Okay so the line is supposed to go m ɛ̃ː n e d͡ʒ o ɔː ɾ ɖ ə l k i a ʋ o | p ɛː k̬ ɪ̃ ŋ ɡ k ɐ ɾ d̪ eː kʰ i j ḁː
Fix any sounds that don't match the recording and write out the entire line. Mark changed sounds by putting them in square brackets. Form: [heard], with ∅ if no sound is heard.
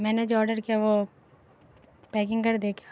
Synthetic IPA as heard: m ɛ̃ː n e d͡ʒ o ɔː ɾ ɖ ə [ɾ] k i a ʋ o | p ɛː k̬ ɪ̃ ŋ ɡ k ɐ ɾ d̪ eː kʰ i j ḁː